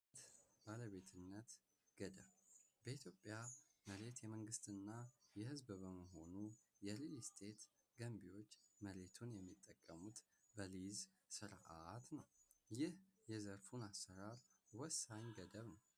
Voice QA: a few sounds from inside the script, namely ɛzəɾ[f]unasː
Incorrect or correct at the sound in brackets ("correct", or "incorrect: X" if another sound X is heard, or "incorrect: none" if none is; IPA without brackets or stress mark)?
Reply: correct